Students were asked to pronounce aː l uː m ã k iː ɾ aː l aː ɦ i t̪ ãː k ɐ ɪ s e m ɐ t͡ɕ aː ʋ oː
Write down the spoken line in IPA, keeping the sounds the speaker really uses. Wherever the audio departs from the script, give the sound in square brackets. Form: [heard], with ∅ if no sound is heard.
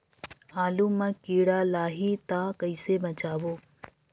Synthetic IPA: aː l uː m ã k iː [ɽ] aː l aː ɦ i t̪ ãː k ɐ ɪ s e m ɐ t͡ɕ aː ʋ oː